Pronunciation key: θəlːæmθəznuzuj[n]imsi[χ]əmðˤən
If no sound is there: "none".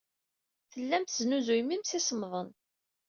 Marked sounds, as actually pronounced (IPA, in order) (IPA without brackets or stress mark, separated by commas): m, s